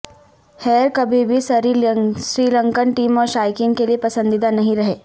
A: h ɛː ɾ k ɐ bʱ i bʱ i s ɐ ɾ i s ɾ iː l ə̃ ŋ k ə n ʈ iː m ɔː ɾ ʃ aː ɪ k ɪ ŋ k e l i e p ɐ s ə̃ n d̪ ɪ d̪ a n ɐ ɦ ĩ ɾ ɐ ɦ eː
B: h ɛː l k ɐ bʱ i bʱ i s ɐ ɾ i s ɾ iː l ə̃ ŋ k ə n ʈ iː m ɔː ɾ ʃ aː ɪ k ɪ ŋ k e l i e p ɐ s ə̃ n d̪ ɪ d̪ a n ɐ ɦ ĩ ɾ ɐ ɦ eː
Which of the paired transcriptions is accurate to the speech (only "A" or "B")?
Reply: A